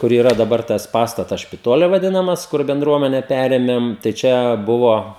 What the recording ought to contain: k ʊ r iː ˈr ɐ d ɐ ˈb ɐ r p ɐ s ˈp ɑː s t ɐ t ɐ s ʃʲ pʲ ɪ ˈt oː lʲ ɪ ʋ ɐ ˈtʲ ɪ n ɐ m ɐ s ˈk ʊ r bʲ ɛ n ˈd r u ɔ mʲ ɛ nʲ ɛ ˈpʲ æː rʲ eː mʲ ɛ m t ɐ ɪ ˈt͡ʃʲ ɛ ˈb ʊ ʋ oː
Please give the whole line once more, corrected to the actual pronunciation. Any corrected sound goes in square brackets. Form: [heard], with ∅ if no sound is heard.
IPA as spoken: k ʊ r iː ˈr ɐ d ɐ ˈb ɐ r [t] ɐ s ˈp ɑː s t ɐ t ɐ s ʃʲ pʲ ɪ ˈt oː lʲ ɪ ʋ ɐ [ˈdʲ] ɪ n ɐ m ɐ s ˈk ʊ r bʲ ɛ n ˈd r u ɔ mʲ ɛ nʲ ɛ ˈpʲ æː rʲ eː mʲ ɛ m t ɐ ɪ ˈt͡ʃʲ ɛ ˈb ʊ ʋ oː